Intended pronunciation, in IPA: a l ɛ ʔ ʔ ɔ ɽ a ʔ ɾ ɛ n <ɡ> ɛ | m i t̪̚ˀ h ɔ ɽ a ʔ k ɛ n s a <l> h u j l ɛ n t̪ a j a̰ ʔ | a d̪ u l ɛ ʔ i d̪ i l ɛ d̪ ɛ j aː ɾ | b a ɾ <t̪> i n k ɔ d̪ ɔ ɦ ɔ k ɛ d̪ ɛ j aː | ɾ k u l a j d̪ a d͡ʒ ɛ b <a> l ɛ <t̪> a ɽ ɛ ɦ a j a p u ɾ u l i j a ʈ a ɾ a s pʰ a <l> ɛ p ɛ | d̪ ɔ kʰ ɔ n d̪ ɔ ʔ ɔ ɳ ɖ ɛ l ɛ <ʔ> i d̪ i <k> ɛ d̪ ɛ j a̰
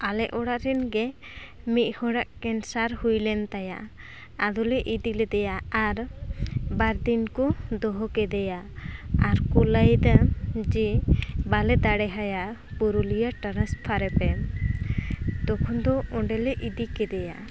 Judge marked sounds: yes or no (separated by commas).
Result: yes, no, no, yes, no, no, yes, yes